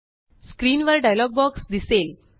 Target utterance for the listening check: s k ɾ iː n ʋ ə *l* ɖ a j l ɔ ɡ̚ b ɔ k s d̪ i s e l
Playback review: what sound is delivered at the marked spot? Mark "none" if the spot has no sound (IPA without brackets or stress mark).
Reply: ɾ